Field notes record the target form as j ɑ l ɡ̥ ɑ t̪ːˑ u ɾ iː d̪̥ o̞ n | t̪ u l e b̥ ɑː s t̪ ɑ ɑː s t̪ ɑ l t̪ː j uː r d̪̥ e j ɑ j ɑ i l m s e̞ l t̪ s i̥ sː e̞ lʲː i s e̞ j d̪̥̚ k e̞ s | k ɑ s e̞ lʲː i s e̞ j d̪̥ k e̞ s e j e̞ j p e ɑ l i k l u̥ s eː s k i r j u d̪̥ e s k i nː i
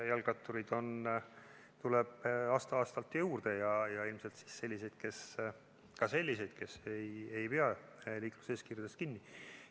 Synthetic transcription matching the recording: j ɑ l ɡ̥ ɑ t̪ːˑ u ɾ i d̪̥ o̞ n | t̪ u l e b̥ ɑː s t̪ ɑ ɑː s t̪ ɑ l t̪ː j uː r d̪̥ e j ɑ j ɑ i l m s e̞ l t̪ s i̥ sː e̞ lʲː i s e̞ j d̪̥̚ k e̞ s | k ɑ s e̞ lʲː i s e̞ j d̪̥ k e̞ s e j e̞ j p e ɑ l iː k l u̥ s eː s k i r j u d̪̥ e s k i nː i